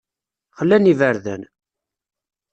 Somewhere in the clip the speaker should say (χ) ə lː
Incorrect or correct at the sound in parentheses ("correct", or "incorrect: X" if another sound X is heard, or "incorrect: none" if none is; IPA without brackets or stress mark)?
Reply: correct